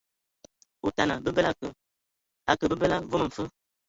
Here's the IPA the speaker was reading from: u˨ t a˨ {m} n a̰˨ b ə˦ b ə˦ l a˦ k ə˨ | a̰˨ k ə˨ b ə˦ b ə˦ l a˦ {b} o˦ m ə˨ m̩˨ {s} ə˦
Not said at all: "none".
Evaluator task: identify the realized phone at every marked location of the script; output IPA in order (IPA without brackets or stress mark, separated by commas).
none, v, f